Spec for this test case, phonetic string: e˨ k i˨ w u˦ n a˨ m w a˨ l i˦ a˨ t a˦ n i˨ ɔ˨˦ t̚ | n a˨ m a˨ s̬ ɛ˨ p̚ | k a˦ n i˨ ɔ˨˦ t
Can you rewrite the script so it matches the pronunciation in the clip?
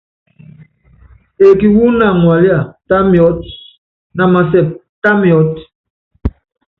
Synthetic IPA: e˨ k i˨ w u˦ n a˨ ŋ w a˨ l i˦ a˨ t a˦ m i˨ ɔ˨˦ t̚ | n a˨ m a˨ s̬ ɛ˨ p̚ | t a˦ m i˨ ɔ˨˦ t

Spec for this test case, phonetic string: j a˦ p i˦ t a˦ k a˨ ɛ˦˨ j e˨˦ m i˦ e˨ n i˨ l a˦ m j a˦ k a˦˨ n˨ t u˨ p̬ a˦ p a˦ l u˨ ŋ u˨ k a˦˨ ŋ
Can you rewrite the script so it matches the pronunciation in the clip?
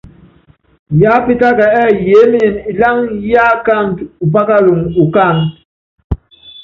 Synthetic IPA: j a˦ p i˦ t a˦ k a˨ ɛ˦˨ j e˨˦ m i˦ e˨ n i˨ l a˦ ŋ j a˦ k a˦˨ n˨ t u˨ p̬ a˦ k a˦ l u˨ ŋ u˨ k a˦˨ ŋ

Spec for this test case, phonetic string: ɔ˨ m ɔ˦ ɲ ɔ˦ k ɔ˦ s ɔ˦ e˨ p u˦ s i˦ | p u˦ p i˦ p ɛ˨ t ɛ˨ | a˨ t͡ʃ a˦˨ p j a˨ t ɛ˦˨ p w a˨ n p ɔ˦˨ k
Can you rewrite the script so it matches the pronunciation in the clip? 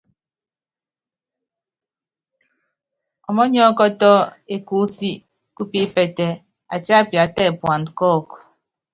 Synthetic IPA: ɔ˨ m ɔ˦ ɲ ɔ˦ k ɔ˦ t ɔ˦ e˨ k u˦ s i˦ | k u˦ p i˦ p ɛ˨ t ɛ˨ | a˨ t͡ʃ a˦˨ p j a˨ t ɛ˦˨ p w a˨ n k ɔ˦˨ k

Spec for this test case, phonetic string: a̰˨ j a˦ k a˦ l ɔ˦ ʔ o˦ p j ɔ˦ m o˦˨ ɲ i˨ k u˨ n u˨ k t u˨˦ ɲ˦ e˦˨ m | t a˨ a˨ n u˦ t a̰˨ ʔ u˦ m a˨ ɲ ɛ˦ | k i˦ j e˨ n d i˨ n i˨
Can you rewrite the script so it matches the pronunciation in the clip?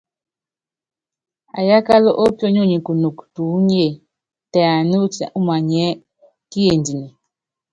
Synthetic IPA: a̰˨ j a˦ k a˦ l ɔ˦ ʔ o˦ p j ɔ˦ ɲ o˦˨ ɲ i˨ k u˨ n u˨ k t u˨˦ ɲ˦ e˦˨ | t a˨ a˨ n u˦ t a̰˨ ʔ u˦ m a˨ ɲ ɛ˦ | k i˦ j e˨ n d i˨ n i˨

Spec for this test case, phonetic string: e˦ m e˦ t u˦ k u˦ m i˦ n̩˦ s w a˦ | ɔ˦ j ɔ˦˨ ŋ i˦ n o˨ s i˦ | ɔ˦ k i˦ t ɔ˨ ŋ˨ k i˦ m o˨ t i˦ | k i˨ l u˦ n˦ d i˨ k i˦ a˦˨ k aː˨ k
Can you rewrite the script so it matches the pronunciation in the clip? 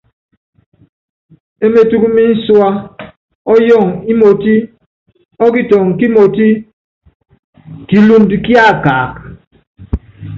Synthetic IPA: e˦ m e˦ t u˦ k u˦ m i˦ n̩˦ s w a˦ | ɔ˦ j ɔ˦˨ ŋ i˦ m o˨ t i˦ | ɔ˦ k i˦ t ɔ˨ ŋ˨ k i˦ m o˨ t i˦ | k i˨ l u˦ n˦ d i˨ k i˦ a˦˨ k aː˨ k

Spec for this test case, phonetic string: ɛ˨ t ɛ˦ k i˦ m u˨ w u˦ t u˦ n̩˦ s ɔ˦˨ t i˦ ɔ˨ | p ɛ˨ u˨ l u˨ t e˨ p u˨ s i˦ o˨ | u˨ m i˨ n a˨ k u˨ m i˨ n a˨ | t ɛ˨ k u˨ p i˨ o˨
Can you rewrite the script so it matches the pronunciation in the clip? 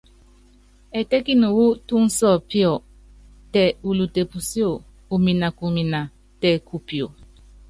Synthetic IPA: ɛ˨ t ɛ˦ k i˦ n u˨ w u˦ t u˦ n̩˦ s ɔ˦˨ p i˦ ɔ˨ | t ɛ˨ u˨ l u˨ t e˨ p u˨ s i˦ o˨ | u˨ m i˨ n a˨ k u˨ m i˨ n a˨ | t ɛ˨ k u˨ p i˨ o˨

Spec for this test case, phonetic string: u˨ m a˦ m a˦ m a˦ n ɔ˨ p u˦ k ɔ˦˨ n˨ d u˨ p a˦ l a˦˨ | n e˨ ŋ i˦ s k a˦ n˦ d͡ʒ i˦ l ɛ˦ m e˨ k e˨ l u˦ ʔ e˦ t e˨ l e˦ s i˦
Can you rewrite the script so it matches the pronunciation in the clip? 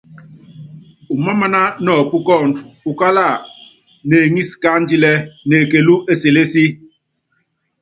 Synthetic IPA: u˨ m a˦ m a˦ n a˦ n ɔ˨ p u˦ k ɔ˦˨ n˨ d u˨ k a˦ l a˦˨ | n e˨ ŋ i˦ s k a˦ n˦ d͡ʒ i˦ l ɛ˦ n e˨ k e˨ l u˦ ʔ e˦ s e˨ l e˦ s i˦

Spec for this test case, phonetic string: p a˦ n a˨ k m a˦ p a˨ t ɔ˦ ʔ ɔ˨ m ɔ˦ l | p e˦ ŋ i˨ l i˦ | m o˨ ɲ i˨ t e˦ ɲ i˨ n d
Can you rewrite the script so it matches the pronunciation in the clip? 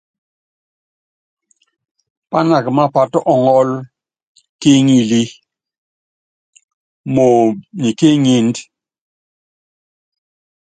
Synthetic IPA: p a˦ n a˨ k m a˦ p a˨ t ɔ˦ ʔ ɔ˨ ŋ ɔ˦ l | k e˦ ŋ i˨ l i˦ | m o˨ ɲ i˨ k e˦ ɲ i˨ n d

